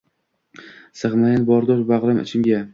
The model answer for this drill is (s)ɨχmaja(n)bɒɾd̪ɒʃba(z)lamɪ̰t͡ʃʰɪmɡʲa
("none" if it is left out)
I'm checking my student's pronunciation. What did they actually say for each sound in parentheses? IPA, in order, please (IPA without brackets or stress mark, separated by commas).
s, n, ʁ